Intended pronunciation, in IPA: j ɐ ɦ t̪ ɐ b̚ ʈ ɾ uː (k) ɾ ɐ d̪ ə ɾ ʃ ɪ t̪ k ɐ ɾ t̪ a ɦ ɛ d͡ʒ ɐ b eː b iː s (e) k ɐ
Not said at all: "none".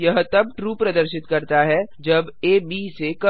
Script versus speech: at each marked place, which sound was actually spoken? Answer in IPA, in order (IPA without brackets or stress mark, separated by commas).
p, e